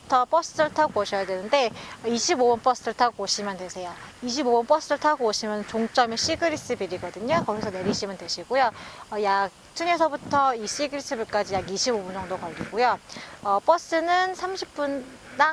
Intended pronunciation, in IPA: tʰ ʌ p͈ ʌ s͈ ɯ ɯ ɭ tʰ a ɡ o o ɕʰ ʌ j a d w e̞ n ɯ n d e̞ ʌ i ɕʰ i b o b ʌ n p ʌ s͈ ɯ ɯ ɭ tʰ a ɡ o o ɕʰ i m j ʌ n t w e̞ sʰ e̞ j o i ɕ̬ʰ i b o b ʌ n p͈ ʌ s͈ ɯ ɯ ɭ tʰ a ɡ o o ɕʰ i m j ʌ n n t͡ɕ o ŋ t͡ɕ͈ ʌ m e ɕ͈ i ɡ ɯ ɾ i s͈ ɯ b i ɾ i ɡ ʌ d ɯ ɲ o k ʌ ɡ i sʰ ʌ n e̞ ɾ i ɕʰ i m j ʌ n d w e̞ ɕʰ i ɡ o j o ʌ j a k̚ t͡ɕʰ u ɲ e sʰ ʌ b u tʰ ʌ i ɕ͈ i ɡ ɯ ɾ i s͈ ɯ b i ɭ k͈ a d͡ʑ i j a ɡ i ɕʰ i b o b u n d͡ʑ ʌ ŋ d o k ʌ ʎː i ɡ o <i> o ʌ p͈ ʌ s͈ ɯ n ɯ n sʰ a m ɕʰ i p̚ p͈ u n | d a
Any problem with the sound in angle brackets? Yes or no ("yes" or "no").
yes